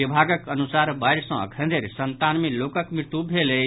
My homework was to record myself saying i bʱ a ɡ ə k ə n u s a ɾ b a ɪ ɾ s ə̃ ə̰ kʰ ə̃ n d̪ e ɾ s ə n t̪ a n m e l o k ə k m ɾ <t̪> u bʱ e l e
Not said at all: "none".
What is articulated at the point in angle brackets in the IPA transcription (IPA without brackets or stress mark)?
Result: t̪